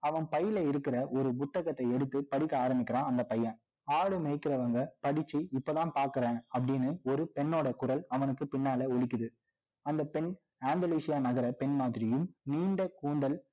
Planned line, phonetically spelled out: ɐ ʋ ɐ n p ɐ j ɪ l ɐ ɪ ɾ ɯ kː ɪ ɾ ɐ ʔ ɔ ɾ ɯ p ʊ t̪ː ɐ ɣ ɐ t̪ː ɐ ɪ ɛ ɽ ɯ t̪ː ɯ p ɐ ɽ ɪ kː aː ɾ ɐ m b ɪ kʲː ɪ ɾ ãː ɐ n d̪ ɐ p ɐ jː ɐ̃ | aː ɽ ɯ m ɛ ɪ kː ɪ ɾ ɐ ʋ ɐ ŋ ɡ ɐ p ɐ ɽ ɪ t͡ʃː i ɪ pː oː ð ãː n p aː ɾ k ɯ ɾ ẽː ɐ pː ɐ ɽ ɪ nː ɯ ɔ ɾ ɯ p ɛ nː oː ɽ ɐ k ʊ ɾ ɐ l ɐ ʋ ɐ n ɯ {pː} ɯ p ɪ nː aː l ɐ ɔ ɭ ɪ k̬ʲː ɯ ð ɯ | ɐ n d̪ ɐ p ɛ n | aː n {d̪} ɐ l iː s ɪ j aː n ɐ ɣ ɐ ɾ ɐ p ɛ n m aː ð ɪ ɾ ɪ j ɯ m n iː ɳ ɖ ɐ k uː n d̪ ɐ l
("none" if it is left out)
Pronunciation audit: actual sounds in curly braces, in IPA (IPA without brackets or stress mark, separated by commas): kː, d̪